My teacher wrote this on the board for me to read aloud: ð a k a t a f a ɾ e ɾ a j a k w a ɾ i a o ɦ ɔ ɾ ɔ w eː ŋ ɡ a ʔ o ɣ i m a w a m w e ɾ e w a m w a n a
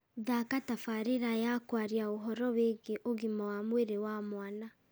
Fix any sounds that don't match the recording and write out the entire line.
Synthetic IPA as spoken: ð a k a t a f a ɾ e ɾ a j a k w a ɾ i a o ɦ ɔ ɾ ɔ w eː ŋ ɡ e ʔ o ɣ i m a w a m w e ɾ e w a m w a n a